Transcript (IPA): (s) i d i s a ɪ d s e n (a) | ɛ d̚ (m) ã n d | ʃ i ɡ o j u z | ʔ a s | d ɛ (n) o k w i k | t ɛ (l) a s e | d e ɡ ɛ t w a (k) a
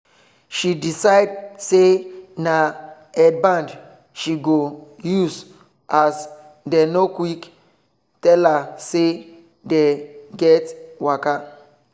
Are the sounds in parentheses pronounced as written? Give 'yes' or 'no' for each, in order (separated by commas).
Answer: no, yes, no, yes, yes, yes